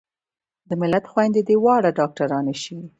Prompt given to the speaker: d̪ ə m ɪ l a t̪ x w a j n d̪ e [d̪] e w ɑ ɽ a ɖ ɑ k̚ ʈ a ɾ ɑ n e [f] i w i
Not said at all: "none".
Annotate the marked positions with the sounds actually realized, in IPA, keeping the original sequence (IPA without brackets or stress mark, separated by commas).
d̪, ʃ